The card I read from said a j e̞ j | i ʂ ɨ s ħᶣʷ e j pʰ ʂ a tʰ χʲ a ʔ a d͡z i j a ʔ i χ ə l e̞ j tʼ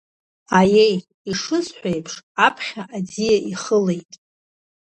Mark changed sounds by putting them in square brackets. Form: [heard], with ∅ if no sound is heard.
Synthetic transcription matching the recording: a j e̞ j | i ʂ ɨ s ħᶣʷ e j pʰ ʂ a [pʰ] χʲ a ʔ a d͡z i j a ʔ i χ ə l e̞ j tʼ